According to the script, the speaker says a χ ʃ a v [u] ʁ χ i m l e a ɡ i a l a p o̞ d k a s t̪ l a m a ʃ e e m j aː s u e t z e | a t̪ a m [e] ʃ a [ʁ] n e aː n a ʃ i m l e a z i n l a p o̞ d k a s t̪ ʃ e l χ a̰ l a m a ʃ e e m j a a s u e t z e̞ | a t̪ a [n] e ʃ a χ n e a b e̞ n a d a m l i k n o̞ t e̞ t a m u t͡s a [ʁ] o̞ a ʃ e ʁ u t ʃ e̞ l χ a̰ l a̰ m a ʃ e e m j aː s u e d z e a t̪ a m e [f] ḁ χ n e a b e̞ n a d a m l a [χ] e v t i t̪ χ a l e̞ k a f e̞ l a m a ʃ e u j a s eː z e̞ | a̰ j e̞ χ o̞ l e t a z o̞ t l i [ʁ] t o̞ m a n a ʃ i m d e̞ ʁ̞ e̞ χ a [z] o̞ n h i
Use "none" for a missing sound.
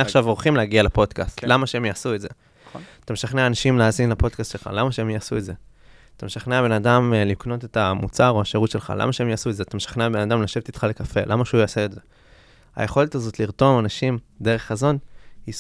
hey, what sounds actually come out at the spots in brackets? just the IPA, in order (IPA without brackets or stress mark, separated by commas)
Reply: o, e, χ, m, ʁ, ʃ, ʃ, ʁ, z